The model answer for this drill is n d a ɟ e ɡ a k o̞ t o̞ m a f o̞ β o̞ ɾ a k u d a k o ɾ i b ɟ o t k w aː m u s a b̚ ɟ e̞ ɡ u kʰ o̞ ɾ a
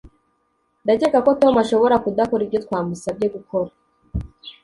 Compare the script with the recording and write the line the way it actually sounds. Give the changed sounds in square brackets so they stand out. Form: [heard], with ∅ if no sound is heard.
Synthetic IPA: n d a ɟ e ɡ a k o̞ t o̞ m a [ʃ] o̞ β o̞ ɾ a k u d a k o ɾ i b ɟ o t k w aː m u s a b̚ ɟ e̞ ɡ u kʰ o̞ ɾ a

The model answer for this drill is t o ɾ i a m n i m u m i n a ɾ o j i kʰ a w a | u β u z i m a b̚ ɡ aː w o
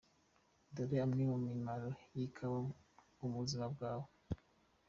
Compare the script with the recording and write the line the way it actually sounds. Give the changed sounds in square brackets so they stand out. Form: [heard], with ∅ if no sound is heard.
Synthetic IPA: [d] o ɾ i a m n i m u m i [m] a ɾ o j i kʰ a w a | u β u z i m a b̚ ɡ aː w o

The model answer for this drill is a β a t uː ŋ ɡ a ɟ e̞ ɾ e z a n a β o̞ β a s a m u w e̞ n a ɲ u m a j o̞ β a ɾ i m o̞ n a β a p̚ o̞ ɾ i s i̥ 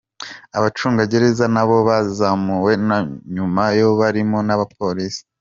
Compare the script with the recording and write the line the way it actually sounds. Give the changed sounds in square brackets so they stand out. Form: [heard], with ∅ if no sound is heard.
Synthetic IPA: a β a [t͡ʃ] uː ŋ ɡ a ɟ e̞ ɾ e z a n a β o̞ β a [z] a m u w e̞ n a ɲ u m a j o̞ β a ɾ i m o̞ n a β a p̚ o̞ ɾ i s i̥

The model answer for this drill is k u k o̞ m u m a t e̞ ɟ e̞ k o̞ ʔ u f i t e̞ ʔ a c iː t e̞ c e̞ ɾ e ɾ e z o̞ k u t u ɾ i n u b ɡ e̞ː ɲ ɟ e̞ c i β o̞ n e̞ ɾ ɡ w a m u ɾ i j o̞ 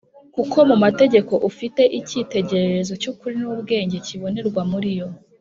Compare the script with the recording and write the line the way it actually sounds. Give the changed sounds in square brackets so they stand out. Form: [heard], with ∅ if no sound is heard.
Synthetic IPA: k u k o̞ m u m a t e̞ ɟ e̞ k o̞ ʔ u f i t e̞ ʔ [i] c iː t e̞ [ɟ] e̞ ɾ e ɾ e z o̞ [c] u [k] u ɾ i n u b ɡ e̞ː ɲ ɟ e̞ c i β o̞ n e̞ ɾ ɡ w a m u ɾ i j o̞

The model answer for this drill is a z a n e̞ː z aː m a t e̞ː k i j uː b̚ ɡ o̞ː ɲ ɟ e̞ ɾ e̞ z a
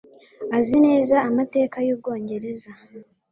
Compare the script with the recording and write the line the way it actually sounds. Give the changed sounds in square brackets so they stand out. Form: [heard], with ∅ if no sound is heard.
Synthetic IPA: a z [i] n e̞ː z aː m a t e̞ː k [a] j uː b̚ ɡ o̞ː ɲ ɟ e̞ ɾ e̞ z a

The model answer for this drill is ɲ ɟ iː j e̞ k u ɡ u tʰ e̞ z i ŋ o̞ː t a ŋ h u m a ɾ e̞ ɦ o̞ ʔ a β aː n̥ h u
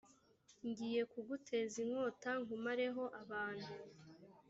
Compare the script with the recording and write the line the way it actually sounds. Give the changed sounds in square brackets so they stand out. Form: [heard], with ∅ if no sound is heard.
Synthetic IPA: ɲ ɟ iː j e̞ k u ɡ u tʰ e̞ z i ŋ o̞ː t a ŋ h u m a ɾ e̞ ɦ o̞ ʔ a β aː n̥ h u

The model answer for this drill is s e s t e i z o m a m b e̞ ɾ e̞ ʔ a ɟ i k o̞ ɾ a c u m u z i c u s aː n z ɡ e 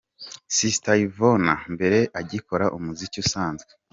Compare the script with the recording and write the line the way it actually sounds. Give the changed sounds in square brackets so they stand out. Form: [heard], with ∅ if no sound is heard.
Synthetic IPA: s [i] s t [a] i [v] o [n] a m b e̞ ɾ e̞ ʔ a ɟ i k o̞ ɾ a [ʔ] u m u z i c u s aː n z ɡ e

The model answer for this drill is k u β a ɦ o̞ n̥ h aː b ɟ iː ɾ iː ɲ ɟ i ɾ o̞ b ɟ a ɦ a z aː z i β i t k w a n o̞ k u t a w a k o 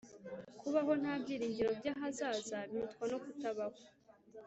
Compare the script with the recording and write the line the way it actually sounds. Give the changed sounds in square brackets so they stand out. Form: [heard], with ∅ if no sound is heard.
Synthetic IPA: k u β a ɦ o̞ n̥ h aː b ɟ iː ɾ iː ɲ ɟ i ɾ o̞ b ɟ a ɦ a z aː z [a] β i t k w a n o̞ k u t a [β] a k o

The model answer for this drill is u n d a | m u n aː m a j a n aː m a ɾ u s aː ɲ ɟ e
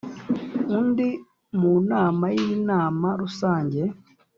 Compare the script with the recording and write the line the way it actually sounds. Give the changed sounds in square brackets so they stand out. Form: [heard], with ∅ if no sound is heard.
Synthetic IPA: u n d [i] | m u n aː m a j [i] n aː m a ɾ u s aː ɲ ɟ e

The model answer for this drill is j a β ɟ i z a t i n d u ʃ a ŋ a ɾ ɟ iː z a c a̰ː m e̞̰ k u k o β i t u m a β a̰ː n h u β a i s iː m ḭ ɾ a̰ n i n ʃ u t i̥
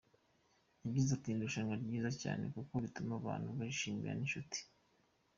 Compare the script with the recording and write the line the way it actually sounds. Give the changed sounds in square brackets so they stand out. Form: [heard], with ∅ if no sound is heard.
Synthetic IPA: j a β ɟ i z a t i n d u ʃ a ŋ a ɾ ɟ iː z a c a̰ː [n] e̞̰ k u k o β i t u m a β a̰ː n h u β a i [ʃ] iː m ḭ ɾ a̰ n i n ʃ u t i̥

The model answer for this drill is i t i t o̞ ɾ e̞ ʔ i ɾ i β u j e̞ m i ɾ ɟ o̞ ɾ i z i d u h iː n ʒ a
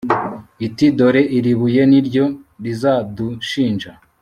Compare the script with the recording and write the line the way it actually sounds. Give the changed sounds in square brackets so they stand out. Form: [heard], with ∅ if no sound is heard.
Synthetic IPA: i t i [d] o̞ ɾ e̞ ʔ i ɾ i β u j e̞ [n] i ɾ ɟ o̞ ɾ i z [a] d u [ʃ] iː n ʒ a

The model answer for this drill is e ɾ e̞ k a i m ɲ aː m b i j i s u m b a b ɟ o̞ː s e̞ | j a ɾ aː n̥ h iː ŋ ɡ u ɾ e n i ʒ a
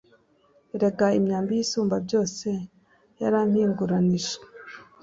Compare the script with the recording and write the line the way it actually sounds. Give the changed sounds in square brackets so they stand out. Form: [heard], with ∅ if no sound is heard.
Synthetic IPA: e ɾ e̞ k a i m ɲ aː m b i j i s [uː] m b a b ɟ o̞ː s e̞ | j a ɾ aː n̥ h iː ŋ ɡ u ɾ [a] n i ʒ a

